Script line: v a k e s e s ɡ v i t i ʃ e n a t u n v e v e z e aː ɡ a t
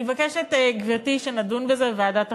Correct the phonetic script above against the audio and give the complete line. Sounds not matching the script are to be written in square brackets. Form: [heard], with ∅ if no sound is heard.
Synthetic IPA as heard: v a k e [ʃ] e [t] ɡ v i t i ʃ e n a [d] u n v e [z] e [v] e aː [d] a t